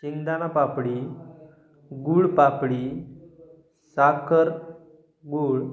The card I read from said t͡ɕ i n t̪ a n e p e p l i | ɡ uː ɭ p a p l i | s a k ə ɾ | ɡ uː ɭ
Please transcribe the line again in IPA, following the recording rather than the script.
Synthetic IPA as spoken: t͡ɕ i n d̪ a n a p a p ɽ i | ɡ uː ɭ p a p ɽ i | s a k ə ɾ | ɡ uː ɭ